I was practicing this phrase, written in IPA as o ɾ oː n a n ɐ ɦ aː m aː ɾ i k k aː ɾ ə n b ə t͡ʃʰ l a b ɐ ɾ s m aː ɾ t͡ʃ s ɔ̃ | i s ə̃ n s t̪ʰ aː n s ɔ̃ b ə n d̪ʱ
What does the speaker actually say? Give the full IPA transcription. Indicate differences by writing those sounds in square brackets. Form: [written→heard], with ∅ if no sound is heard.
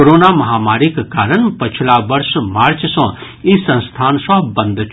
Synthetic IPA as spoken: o ɾ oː n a [n→m] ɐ ɦ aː m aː ɾ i k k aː ɾ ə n [b→p] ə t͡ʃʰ l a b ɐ ɾ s m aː ɾ t͡ʃ s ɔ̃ | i s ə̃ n s t̪ʰ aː n s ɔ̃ b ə n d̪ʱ